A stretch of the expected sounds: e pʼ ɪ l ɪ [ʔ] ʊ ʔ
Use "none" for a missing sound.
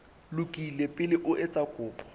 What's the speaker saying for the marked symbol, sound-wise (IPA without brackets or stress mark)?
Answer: ʔ